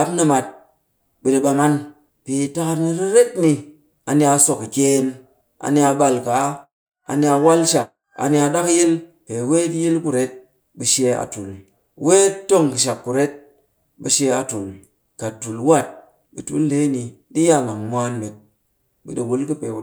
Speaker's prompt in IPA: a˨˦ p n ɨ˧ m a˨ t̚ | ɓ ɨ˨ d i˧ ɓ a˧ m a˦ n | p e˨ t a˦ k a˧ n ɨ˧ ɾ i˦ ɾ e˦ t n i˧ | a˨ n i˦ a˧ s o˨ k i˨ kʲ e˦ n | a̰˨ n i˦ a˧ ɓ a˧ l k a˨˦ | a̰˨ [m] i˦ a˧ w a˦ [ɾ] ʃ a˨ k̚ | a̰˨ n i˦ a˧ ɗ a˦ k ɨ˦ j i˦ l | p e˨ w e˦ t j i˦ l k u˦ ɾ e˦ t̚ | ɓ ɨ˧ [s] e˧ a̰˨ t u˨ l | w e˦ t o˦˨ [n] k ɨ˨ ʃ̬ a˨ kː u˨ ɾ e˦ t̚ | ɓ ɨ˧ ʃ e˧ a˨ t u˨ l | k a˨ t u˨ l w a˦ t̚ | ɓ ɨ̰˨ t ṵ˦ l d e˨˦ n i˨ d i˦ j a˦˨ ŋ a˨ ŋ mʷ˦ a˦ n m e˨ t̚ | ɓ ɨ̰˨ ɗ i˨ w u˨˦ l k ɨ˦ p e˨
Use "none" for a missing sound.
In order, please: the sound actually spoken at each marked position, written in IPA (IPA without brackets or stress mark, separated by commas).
n, l, ʃ, ŋ